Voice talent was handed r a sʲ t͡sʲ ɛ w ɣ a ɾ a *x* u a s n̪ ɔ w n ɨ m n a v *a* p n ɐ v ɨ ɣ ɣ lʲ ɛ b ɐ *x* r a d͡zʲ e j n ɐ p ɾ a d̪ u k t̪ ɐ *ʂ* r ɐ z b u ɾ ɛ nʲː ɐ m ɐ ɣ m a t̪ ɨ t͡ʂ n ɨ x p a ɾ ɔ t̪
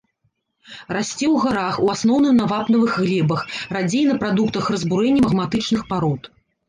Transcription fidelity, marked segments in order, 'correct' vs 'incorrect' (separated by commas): correct, correct, correct, incorrect